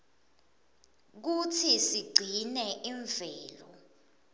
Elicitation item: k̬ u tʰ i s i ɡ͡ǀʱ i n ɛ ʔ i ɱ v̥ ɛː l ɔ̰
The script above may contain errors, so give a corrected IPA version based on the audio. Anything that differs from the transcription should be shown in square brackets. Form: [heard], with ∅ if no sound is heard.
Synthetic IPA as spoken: k̬ u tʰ i s i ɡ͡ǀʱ i n ɛ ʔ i ɱ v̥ ɛː l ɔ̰